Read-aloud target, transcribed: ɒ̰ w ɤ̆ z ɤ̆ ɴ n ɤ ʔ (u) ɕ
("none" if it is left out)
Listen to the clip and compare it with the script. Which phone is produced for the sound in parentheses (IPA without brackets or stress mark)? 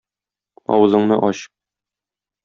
ɒ